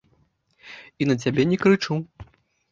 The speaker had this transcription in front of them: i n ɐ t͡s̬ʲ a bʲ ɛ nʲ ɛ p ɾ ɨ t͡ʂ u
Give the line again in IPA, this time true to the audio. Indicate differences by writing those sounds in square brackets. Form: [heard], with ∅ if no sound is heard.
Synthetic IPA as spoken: i n ɐ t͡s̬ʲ a bʲ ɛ nʲ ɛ [k] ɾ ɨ t͡ʂ u